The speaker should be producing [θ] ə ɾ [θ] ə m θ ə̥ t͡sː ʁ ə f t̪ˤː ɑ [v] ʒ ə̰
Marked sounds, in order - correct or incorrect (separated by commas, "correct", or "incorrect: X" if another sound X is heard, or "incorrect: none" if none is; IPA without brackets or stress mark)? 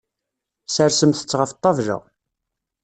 incorrect: s, incorrect: s, correct